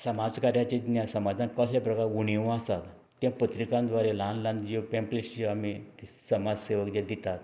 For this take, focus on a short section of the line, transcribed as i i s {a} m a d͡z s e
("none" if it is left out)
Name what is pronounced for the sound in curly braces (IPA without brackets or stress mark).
ə